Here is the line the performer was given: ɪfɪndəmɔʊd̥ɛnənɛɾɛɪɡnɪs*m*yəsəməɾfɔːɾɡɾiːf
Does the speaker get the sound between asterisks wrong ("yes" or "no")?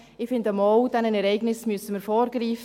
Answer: no